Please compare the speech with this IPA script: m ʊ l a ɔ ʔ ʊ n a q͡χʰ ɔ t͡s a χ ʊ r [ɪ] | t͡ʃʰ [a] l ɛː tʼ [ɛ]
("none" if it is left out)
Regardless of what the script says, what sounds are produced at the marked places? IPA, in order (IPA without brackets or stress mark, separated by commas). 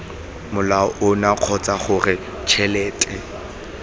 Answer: ɪ, ɛ, ɛ